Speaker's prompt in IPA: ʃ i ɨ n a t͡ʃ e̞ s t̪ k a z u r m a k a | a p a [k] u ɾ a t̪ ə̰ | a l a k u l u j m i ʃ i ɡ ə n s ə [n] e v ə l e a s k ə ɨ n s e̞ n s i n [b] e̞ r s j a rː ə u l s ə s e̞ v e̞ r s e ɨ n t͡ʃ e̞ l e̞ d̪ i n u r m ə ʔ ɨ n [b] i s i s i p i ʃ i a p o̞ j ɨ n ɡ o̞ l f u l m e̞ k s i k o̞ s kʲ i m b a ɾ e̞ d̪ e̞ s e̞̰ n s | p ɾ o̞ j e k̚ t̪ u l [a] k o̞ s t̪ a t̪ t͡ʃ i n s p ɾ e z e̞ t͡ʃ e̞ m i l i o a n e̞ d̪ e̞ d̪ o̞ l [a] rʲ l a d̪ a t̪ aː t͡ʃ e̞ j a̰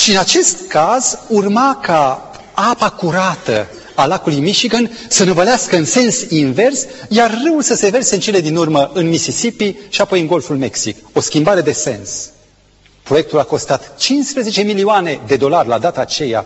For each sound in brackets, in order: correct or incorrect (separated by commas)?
correct, correct, incorrect, incorrect, correct, correct